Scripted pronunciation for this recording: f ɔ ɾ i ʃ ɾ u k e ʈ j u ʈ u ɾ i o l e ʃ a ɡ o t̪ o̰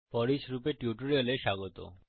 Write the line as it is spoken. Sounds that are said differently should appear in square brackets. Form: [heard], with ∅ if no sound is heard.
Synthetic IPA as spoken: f ɔ ɾ i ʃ ɾ u [p] e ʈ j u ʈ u ɾ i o l e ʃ a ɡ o t̪ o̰